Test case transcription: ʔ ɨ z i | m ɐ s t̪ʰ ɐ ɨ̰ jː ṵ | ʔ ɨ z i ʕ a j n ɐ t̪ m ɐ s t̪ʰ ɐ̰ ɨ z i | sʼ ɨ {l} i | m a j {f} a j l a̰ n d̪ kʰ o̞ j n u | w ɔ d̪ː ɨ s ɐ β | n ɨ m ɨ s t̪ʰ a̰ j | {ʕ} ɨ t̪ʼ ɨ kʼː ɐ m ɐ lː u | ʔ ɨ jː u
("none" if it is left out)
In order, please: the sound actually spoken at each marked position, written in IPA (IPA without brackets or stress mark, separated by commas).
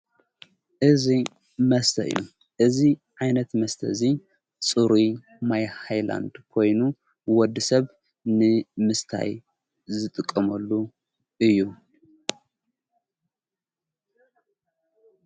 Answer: ɾ, h, z